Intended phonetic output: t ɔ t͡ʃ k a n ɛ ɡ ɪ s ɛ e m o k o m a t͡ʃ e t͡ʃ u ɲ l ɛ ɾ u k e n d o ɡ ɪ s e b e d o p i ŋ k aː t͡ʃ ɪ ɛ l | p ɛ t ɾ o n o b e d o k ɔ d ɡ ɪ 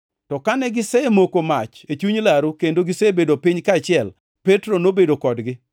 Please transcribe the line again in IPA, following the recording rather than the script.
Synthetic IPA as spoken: t ɔ k a n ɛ ɡ ɪ s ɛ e m o k o m a t͡ʃ e t͡ʃ u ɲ l a ɾ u k e n d o ɡ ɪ s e b e d o p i ɲ k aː t͡ʃ ɪ ɛ l | p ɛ t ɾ o n o b e d o k ɔ d ɡ ɪ